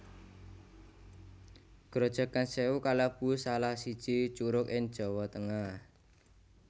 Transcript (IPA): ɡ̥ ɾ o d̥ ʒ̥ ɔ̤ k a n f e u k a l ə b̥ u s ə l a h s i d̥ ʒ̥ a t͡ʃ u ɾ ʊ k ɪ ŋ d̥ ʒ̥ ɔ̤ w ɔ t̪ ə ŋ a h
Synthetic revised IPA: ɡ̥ ɾ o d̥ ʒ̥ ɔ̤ k a n s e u k a l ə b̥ u s a l a h s i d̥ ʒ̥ i t͡ʃ u ɾ ʊ k ɪ ŋ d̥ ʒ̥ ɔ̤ w ɔ t̪ ə ŋ a h